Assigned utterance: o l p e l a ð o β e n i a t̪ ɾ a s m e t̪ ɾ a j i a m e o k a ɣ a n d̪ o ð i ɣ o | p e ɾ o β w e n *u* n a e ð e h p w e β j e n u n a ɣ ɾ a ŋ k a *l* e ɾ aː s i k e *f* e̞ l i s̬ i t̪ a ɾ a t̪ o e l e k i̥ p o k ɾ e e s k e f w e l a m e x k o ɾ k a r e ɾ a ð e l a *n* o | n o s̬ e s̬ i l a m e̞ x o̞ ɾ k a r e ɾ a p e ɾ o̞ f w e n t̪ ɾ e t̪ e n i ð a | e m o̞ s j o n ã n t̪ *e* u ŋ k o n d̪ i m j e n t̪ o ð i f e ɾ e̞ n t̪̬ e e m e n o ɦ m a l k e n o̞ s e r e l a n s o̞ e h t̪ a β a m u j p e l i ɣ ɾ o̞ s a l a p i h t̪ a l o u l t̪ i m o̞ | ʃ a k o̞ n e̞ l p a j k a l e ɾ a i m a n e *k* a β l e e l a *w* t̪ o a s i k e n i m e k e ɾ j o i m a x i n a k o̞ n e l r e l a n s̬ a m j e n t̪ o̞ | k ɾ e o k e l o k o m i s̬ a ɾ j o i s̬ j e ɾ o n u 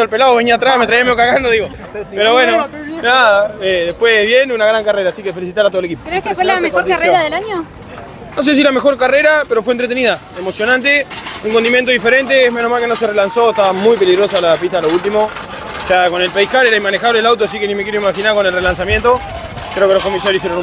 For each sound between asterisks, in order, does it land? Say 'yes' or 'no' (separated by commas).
no, no, yes, no, yes, no, yes